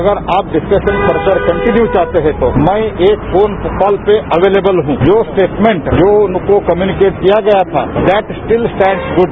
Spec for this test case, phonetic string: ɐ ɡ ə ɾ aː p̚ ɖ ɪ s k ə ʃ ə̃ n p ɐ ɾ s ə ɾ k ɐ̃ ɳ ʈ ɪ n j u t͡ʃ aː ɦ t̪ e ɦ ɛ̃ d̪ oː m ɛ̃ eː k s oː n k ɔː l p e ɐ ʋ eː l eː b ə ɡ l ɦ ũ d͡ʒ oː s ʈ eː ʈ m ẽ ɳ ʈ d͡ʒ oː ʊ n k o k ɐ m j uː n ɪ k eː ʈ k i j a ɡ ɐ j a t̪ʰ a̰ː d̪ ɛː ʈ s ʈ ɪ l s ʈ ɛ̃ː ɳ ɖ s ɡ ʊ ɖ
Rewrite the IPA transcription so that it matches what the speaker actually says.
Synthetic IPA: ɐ ɡ ə ɾ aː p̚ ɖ ɪ s k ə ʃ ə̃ n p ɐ ɾ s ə ɾ k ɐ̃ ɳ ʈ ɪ n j u t͡ʃ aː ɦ t̪ e ɦ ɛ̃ t̪ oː m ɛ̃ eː k f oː n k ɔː l p e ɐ ʋ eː l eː b ə l ɦ ũ d͡ʒ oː s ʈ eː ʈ m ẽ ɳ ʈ d͡ʒ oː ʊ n k o k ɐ m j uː n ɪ k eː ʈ k i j a ɡ ɐ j a t̪ʰ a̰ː d̪ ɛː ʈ s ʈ ɪ l s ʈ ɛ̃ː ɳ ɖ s ɡ ʊ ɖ